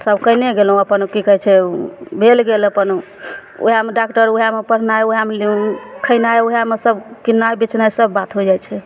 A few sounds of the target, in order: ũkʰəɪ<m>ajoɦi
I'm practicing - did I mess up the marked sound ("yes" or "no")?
yes